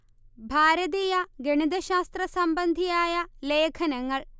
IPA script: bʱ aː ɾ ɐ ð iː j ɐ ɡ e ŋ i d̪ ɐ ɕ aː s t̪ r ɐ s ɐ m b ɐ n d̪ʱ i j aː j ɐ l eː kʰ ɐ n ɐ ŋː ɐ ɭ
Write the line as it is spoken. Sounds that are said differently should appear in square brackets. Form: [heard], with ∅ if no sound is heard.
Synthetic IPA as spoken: bʱ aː ɾ ɐ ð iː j ɐ ɡ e [ɳ] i d̪ ɐ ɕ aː s t̪ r ɐ s ɐ m b ɐ n d̪ʱ i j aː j ɐ l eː kʰ ɐ n ɐ ŋː ɐ ɭ